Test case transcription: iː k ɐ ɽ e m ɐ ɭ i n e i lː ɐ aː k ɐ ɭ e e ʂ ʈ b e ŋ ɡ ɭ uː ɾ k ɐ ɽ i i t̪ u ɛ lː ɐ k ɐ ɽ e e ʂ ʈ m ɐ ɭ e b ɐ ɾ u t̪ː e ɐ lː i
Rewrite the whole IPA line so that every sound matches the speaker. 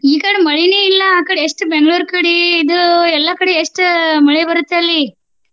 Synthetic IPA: iː k ɐ ɽ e m ɐ ɭ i n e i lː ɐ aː k ɐ ɽ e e ʂ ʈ b e ŋ ɡ ɭ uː ɾ k ɐ ɽ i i d̪ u ɛ lː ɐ k ɐ ɽ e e ʂ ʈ m ɐ ɭ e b ɐ ɾ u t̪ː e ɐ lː i